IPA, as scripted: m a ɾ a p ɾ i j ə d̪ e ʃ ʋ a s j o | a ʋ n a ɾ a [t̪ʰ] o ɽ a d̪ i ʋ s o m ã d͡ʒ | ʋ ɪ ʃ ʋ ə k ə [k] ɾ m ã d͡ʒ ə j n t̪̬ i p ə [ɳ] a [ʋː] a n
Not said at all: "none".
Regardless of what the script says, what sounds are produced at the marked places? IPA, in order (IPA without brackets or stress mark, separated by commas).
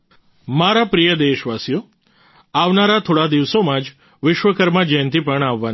t̪ʰ, none, ɳ, ʋː